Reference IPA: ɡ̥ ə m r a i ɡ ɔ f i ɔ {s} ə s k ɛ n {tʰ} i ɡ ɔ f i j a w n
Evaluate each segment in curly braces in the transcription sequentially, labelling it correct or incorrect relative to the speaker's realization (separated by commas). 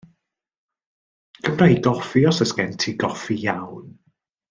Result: correct, correct